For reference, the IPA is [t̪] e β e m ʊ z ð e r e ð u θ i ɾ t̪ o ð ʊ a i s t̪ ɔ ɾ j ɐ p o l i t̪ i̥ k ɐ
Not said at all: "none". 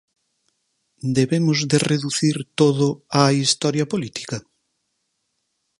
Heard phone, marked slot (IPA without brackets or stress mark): d̪